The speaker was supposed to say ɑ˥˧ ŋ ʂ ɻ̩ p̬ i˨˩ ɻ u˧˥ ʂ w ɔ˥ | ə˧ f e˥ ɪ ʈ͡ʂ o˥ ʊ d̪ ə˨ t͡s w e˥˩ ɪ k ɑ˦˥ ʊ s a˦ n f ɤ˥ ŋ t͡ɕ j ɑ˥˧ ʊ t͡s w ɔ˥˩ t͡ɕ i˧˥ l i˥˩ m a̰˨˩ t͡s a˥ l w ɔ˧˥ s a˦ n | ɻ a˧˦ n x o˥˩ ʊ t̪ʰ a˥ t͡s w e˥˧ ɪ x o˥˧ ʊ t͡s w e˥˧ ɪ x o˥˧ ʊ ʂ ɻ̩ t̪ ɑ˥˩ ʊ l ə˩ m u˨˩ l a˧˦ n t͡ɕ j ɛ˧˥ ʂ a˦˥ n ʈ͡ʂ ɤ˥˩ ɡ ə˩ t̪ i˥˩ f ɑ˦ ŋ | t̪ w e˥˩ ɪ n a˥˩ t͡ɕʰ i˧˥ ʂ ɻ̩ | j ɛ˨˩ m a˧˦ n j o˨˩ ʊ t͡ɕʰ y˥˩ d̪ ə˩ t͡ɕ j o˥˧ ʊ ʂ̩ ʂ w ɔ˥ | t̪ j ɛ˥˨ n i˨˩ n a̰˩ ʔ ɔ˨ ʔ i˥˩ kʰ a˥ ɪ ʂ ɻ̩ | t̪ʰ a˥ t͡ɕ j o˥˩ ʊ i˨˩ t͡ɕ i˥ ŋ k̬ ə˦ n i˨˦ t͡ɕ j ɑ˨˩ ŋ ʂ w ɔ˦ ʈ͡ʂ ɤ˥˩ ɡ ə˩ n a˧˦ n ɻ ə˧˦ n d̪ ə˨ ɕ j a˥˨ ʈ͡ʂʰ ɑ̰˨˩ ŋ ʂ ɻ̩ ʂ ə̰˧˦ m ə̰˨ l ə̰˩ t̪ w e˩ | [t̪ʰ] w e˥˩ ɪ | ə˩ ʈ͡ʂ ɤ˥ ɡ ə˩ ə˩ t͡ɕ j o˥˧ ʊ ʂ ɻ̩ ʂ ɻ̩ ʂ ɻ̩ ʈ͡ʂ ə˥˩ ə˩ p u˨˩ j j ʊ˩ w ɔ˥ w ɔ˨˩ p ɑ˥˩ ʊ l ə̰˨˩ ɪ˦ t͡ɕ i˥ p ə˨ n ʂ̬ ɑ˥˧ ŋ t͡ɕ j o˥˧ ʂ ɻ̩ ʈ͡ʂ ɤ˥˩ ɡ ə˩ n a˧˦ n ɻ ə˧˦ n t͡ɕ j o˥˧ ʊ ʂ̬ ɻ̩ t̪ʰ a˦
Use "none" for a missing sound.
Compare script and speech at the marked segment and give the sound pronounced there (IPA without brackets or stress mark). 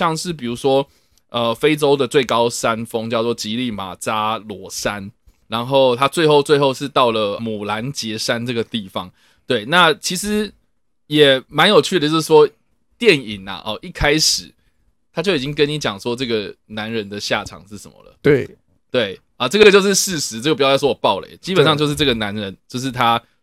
t̪